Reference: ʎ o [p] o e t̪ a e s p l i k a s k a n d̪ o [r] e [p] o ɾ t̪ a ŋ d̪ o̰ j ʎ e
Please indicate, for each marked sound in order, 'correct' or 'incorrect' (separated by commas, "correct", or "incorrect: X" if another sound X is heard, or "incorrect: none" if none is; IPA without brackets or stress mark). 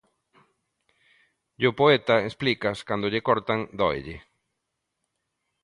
correct, incorrect: ʎ, incorrect: k